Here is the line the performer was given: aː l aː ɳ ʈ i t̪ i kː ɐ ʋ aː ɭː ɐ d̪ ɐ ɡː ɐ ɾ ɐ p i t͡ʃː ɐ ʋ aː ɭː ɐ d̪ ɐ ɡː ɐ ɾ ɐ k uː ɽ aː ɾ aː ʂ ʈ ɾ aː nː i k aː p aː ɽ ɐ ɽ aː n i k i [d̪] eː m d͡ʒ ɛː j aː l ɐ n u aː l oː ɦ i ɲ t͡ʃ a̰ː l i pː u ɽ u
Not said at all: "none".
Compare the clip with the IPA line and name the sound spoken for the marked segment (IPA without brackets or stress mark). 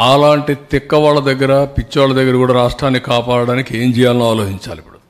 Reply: none